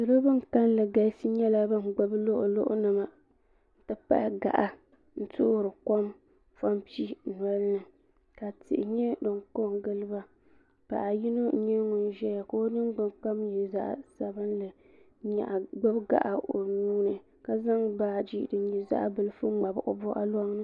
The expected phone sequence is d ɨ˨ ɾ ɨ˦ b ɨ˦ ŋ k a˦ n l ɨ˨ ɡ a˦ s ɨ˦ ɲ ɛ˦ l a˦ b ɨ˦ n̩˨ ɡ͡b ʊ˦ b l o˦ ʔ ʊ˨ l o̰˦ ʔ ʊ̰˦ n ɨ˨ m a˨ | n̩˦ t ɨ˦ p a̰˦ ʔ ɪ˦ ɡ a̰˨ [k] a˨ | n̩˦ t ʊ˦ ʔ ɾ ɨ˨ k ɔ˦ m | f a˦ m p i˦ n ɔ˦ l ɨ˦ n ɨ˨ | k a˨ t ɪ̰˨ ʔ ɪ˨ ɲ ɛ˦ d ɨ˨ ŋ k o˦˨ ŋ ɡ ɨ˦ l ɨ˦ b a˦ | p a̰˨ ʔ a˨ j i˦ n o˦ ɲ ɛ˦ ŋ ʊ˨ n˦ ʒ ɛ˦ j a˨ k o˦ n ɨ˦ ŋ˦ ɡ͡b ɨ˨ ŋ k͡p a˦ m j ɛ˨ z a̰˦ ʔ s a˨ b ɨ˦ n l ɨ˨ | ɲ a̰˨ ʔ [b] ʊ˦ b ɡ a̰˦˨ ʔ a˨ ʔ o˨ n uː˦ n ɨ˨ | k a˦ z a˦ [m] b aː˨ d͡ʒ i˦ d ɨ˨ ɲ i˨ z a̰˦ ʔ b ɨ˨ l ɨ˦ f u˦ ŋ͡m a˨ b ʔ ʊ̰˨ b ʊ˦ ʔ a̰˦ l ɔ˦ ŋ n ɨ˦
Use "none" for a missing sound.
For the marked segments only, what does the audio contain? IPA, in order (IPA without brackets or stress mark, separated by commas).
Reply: ʔ, ɡ͡b, ŋ